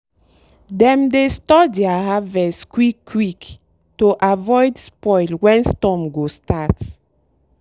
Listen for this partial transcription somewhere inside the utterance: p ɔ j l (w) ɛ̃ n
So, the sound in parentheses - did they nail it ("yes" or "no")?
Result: yes